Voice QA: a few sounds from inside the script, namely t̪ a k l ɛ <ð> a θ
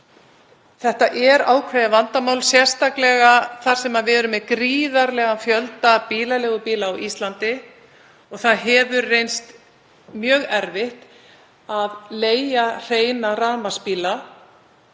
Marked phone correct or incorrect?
incorrect